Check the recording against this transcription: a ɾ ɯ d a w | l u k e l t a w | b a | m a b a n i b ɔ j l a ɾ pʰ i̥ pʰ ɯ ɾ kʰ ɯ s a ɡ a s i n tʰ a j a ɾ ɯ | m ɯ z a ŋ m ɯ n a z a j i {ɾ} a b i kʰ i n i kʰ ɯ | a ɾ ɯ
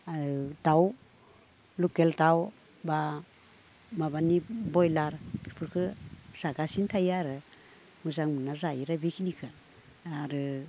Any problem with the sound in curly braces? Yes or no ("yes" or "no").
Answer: no